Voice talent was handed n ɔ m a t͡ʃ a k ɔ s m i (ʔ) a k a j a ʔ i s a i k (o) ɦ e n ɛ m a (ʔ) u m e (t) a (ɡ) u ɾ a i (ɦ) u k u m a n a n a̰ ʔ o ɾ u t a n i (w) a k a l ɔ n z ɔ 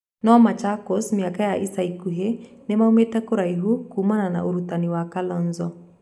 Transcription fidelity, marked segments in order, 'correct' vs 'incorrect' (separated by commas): incorrect, incorrect, incorrect, correct, incorrect, correct, correct